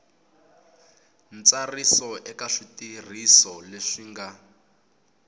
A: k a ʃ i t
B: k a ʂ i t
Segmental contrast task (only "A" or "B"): B